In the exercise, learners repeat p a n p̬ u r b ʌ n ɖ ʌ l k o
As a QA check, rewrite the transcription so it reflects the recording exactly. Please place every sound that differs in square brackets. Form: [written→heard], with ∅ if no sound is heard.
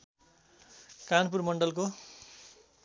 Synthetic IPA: [p→k] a n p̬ u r [b→m] ʌ [n→ɳ] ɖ ʌ l k o